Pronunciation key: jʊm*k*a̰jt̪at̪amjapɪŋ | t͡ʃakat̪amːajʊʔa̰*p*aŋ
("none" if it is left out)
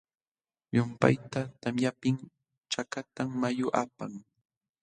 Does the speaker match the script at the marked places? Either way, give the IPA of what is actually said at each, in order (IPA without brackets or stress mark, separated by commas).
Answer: p, p